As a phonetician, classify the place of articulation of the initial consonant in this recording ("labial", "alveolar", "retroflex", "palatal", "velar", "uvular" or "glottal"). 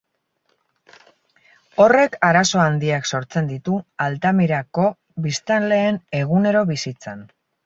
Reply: alveolar